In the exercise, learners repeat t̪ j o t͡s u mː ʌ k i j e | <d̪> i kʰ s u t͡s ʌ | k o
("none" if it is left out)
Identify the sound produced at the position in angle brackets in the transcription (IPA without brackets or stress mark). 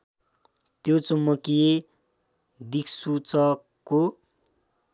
d̪